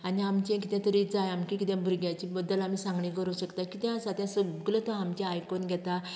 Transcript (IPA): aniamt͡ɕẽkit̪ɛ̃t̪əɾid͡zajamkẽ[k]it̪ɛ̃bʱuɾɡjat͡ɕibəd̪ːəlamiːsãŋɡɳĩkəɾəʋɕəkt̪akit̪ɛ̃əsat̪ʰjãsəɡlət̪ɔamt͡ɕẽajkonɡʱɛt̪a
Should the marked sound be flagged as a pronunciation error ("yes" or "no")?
no